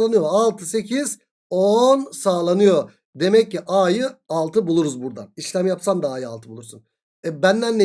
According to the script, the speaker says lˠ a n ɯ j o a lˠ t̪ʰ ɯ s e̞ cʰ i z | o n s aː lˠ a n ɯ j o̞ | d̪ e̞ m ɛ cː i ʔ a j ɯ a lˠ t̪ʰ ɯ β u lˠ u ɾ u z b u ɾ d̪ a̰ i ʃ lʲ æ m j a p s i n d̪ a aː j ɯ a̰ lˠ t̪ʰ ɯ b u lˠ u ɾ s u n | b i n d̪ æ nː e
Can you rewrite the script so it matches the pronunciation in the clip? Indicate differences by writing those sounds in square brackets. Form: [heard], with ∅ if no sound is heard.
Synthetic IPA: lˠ a n ɯ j o a lˠ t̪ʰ ɯ s e̞ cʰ i z | o n s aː lˠ a n ɯ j o̞ | d̪ e̞ m ɛ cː i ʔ a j ɯ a lˠ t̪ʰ ɯ [b] u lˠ u ɾ u z b u ɾ d̪ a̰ i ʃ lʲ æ m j a p s [a] n d̪ a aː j ɯ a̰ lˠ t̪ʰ ɯ b u lˠ u ɾ s u n | b [æ] n d̪ æ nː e

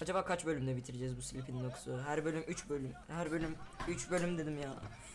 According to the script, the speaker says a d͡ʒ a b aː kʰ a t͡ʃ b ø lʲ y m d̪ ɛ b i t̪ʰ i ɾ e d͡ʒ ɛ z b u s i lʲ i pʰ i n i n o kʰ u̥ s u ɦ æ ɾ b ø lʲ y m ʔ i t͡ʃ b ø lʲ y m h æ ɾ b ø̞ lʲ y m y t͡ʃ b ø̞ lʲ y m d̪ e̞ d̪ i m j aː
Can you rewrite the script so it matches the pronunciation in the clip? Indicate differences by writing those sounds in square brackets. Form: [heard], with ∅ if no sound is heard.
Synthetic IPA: a d͡ʒ a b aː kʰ a t͡ʃ b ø lʲ y m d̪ ɛ b i t̪ʰ i ɾ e d͡ʒ ɛ z b u s i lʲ i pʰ i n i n o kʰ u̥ s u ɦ æ ɾ b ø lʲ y m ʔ [y] t͡ʃ b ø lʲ y m h æ ɾ b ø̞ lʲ y m y t͡ʃ b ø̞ lʲ y m d̪ e̞ d̪ i m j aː

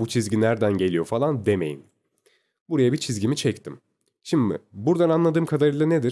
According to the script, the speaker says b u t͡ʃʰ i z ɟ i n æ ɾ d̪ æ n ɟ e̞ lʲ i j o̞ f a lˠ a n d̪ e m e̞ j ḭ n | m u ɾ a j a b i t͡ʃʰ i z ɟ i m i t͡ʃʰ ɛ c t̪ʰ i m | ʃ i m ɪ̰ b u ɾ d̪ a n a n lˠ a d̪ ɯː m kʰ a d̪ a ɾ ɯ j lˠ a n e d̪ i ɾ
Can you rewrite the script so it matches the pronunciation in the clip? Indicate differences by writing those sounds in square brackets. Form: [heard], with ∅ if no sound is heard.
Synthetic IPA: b u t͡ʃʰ i z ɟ i n æ ɾ d̪ æ n ɟ e̞ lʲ i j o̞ f a lˠ a n d̪ e m e̞ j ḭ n | [b] u ɾ a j a b i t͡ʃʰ i z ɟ i m i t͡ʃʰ ɛ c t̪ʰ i m | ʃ i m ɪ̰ b u ɾ d̪ a n a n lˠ a d̪ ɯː m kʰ a d̪ a ɾ ɯ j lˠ a n e d̪ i ɾ

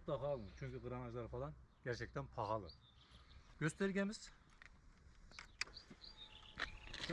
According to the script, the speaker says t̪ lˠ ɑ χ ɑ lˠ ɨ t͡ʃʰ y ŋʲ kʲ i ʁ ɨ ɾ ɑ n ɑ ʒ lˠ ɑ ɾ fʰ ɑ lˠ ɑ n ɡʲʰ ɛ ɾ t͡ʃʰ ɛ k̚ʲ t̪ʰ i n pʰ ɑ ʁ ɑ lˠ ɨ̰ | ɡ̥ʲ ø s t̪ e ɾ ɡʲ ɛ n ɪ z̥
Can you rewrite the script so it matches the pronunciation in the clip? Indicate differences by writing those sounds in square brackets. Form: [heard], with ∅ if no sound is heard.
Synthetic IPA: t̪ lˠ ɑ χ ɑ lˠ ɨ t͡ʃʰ y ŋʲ kʲ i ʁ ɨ ɾ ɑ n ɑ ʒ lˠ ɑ ɾ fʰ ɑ lˠ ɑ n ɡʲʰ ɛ ɾ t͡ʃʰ ɛ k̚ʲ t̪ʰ [ɛ] n pʰ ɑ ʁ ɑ lˠ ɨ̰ | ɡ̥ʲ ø s t̪ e ɾ ɡʲ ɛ [m] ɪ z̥

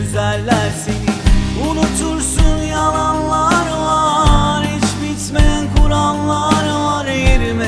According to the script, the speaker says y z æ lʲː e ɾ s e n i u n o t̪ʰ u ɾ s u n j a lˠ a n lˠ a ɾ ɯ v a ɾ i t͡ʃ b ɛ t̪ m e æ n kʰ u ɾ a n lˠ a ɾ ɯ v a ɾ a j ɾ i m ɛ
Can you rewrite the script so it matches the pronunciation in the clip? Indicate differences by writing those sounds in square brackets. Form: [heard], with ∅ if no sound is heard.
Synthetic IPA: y z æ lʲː [æ] ɾ s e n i u n [u] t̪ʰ u ɾ s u n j a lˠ a n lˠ a ɾ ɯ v a ɾ i t͡ʃ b [i] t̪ m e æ n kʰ u ɾ a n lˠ a ɾ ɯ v a ɾ [e] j ɾ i m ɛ

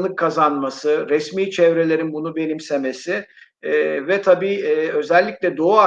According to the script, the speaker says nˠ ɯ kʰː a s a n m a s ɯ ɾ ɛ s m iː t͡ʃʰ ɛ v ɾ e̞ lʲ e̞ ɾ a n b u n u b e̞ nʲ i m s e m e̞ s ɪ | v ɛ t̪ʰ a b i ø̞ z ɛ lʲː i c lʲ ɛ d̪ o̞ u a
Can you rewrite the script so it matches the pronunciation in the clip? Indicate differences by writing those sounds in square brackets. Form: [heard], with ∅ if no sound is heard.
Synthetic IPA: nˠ ɯ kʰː a [z] a n m a s ɯ ɾ ɛ s m iː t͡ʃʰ ɛ v ɾ e̞ lʲ e̞ ɾ [i] n b u n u b e̞ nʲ i m s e m e̞ s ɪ | v ɛ t̪ʰ a b [iː] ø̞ z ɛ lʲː i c lʲ ɛ d̪ o̞ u a

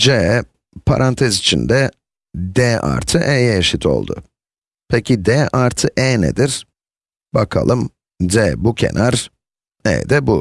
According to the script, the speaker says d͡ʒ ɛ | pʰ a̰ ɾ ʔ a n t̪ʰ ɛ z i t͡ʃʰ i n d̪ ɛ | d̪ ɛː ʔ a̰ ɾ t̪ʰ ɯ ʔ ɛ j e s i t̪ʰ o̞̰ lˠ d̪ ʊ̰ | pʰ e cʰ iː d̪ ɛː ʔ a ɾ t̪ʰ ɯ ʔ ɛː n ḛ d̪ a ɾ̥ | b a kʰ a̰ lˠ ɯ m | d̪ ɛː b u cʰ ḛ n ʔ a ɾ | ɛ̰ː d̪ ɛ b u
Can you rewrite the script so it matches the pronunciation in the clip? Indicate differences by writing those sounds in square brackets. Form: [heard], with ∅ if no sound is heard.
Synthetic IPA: d͡ʒ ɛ | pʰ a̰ ɾ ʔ a n t̪ʰ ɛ z i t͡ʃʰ i n d̪ ɛ | d̪ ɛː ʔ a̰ ɾ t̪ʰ ɯ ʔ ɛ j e [ʃ] i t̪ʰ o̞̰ lˠ d̪ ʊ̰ | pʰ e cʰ [i] d̪ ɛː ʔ a ɾ t̪ʰ ɯ ʔ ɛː n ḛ d̪ [i] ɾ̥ | b a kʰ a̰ lˠ ɯ m | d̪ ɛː b u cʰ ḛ n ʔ a ɾ | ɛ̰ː d̪ ɛ b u

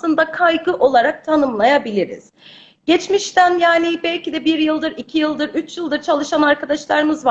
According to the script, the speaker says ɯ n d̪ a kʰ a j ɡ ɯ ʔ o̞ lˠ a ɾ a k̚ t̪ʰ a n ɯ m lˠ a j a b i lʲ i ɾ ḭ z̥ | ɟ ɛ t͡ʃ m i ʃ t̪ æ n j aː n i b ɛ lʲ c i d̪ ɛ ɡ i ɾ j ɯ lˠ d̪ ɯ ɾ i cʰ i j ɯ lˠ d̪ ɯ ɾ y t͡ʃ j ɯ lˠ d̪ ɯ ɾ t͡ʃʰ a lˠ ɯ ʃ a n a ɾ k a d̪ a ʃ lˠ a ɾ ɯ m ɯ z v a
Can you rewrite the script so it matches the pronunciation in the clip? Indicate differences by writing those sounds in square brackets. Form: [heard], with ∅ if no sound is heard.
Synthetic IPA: ɯ n d̪ a kʰ a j ɡ ɯ ʔ o̞ lˠ a ɾ a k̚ t̪ʰ a n ɯ m lˠ a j a b i lʲ i ɾ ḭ z̥ | ɟ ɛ t͡ʃ m i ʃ t̪ æ n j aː n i b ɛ lʲ c i d̪ ɛ [b] i ɾ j ɯ lˠ d̪ ɯ ɾ i cʰ i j ɯ lˠ d̪ ɯ ɾ y t͡ʃ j ɯ lˠ d̪ ɯ ɾ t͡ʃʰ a lˠ ɯ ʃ a n a ɾ k a d̪ a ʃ lˠ a ɾ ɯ m ɯ z v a

